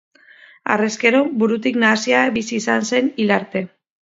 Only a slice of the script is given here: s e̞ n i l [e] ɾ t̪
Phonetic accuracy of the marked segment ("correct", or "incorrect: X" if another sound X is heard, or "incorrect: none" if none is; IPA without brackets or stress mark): incorrect: a